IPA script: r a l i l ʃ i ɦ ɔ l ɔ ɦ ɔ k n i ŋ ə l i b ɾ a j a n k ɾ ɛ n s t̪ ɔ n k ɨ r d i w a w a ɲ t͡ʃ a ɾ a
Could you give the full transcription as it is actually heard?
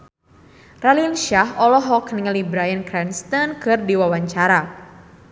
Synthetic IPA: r a l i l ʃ a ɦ ɔ l ɔ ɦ ɔ k n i ŋ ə l i b ɾ a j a n k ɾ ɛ n s t̪ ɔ n k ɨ r d i w a w a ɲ t͡ʃ a ɾ a

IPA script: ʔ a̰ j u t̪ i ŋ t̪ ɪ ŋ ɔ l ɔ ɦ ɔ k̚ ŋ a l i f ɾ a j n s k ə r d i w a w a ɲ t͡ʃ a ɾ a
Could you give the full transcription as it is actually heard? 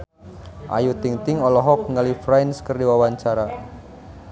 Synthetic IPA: ʔ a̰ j u t̪ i ŋ t̪ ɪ ŋ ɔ l ɔ ɦ ɔ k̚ ŋ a l i f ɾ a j n s k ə r d i w a w a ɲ t͡ʃ a ɾ a

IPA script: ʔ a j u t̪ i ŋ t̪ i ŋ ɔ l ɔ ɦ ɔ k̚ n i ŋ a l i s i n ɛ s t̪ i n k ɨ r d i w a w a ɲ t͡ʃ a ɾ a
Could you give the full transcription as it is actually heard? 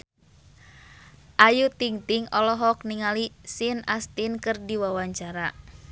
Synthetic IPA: ʔ a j u t̪ i ŋ t̪ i ŋ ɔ l ɔ ɦ ɔ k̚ n i ŋ a l i s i n a s t̪ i n k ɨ r d i w a w a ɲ t͡ʃ a ɾ a

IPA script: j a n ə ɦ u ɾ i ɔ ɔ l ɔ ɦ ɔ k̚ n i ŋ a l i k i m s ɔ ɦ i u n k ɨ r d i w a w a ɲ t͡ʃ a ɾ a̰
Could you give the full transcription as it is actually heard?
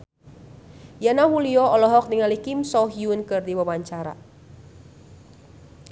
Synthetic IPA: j a n a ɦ u l i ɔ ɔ l ɔ ɦ ɔ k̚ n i ŋ a l i k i m s ɔ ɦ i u n k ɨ r d i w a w a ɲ t͡ʃ a ɾ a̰

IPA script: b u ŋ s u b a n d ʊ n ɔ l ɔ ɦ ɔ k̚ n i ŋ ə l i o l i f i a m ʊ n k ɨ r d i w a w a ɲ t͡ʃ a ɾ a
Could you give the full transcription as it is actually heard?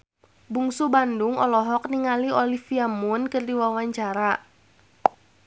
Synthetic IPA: b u ŋ s u b a n d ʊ ŋ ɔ l ɔ ɦ ɔ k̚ n i ŋ a l i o l i f i a m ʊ n k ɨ r d i w a w a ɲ t͡ʃ a ɾ a

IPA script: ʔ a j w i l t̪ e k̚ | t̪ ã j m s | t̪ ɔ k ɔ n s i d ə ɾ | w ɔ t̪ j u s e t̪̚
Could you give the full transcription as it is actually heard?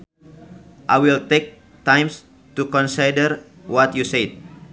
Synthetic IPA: ʔ a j w i l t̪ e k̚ | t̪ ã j m s | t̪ u k ɔ n s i d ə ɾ | w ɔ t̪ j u s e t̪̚

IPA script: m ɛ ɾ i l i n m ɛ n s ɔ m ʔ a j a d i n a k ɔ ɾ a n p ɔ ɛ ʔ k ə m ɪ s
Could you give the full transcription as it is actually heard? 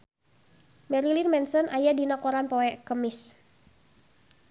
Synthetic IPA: m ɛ ɾ i l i n m ɛ n s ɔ n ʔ a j a d i n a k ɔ ɾ a n p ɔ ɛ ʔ k ə m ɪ s

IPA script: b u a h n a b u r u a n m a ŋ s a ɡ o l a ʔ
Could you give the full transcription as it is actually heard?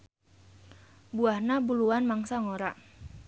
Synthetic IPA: b u a h n a b u l u a n m a ŋ s a ŋ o ɾ a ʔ

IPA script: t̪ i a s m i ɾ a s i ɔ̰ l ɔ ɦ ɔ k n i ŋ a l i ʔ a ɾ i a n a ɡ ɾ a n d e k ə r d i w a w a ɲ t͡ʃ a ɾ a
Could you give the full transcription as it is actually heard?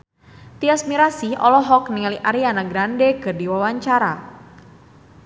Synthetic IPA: t̪ i a s m i ɾ a s i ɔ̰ l ɔ ɦ ɔ k n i ŋ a l i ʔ a ɾ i a n a ɡ ɾ a n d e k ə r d i w a w a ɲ t͡ʃ a ɾ a

